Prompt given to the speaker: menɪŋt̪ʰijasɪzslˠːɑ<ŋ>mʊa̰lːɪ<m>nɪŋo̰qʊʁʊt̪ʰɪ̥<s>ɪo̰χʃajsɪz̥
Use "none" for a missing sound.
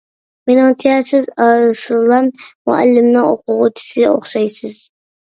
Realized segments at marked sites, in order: n, m, s

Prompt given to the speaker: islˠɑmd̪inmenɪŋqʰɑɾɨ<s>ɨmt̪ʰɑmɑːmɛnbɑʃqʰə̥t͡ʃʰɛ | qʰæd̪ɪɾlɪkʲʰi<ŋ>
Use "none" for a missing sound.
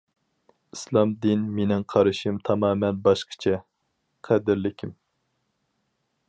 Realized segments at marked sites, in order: ʃ, m

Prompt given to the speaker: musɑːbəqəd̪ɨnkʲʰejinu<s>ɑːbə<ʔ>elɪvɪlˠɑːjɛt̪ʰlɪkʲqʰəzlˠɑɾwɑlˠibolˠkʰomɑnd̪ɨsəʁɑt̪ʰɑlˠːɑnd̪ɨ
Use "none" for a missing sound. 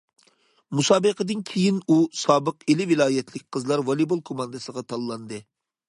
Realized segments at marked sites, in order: s, q

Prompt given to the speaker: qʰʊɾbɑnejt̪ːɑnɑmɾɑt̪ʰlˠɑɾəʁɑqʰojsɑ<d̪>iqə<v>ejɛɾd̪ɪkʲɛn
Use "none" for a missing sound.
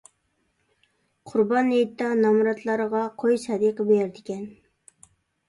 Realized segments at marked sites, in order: d̪, b

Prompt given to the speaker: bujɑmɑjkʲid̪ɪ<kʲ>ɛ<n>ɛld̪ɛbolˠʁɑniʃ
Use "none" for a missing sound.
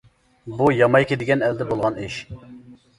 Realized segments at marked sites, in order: ɡʲ, n

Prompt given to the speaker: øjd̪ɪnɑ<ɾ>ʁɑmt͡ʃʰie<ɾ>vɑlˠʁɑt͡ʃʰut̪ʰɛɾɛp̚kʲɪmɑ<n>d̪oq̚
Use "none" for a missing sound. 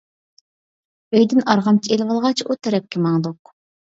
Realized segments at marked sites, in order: ɾ, l, ŋ

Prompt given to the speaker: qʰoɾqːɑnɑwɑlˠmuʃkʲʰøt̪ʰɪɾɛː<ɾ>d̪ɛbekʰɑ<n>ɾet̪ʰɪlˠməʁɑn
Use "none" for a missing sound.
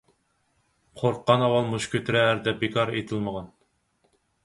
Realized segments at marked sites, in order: ɾ, none

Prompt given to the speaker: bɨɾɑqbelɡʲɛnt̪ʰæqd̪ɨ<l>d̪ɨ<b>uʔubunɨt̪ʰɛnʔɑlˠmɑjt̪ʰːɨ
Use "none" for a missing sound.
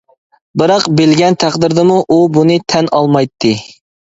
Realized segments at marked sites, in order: ɾ, m

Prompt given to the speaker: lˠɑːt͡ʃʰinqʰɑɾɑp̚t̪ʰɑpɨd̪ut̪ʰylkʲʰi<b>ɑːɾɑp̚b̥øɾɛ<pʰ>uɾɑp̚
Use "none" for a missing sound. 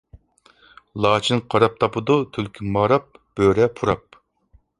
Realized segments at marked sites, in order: m, pʰ

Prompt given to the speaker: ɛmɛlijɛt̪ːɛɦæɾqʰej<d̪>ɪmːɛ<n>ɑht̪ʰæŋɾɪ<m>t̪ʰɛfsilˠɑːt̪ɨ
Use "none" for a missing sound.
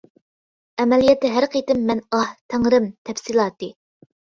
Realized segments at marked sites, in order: t̪, n, m

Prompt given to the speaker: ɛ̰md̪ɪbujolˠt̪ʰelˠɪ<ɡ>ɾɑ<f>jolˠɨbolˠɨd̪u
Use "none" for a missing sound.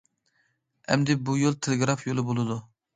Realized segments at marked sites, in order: ɡ, f

